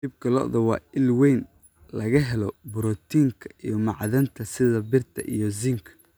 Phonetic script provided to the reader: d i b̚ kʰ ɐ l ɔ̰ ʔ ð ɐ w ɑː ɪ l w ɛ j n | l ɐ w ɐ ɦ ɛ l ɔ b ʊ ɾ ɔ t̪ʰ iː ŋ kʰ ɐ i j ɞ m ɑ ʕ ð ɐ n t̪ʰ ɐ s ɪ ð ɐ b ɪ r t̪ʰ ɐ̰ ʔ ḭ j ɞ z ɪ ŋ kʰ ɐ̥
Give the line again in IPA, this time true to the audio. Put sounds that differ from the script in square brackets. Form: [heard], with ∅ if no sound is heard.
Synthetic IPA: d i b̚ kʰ ɐ l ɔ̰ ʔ ð ɐ w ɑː ɪ l w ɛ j n | l ɐ [ɣ] ɐ ɦ ɛ l ɔ b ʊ ɾ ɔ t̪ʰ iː ŋ kʰ ɐ i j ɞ m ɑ ʕ ð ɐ n t̪ʰ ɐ s ɪ ð ɐ b ɪ r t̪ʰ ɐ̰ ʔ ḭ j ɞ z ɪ ŋ kʰ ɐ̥